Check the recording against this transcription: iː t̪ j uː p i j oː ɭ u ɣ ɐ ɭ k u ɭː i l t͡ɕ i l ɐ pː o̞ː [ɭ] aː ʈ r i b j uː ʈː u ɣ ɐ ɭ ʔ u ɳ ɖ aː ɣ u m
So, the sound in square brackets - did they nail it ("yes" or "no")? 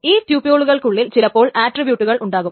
yes